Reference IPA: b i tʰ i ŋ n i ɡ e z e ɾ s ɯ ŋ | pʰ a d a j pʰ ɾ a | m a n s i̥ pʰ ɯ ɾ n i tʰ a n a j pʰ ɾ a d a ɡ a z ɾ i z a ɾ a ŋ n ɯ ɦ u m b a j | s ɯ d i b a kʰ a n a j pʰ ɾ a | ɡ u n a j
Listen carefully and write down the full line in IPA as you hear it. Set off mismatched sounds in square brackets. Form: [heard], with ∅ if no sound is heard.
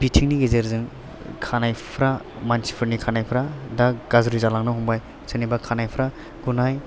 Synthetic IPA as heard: b i tʰ i ŋ n i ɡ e z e ɾ [z] ɯ ŋ | [kʰ] a [n] a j pʰ ɾ a | m a n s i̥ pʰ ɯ ɾ n i [kʰ] a n a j pʰ ɾ a d a ɡ a z ɾ i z a [l] a ŋ n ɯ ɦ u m b a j | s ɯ [n] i b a kʰ a n a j pʰ ɾ a | ɡ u n a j